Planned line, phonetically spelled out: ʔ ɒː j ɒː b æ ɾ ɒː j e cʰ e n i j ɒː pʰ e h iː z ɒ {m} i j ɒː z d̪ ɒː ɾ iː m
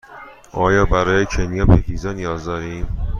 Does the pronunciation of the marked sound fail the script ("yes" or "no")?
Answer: yes